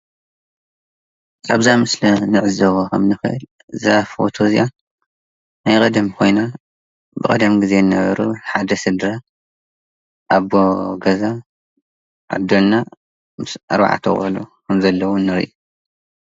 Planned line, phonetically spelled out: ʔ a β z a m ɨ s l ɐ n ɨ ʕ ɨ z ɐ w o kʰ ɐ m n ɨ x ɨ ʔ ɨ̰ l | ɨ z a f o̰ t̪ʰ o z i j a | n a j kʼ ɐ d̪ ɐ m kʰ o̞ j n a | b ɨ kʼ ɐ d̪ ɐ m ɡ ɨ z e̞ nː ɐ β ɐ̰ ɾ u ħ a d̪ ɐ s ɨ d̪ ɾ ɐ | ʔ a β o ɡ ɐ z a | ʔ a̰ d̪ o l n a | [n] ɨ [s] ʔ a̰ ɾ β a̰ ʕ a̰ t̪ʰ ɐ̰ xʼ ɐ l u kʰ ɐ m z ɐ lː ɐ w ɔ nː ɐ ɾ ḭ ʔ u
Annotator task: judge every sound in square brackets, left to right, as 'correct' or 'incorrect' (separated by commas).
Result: incorrect, correct